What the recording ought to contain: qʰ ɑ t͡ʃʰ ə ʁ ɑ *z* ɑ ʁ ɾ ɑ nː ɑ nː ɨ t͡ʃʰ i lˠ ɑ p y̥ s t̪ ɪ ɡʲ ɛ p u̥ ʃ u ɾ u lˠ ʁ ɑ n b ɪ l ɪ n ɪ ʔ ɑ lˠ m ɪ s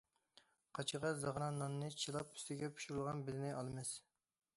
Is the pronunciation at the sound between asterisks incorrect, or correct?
correct